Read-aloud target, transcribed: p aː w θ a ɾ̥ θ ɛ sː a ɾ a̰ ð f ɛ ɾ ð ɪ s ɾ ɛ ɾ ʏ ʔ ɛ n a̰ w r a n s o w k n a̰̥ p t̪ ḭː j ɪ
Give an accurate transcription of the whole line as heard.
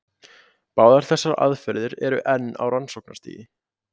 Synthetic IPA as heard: p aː w ð a ɾ̥ θ ɛ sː a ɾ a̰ ð f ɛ ɾ ð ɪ ɾ ɛ ɾ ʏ ʔ ɛ nː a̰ w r a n s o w k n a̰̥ t̪ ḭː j ɪ